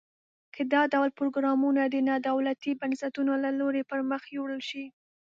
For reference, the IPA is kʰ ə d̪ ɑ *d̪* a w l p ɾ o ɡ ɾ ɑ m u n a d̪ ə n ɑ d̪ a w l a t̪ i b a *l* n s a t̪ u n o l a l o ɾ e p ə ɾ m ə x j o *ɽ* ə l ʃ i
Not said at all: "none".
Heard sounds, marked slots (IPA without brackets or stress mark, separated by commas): d̪, none, ɽ